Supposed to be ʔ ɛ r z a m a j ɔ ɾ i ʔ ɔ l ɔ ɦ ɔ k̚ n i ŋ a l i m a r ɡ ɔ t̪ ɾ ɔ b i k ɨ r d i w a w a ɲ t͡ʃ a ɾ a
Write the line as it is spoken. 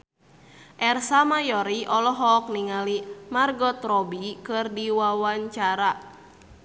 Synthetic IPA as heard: ʔ ɛ r s a m a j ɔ ɾ i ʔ ɔ l ɔ ɦ ɔ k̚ n i ŋ a l i m a r ɡ ɔ t̪ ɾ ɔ b i k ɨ r d i w a w a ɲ t͡ʃ a ɾ a